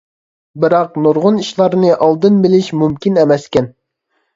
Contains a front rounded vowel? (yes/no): no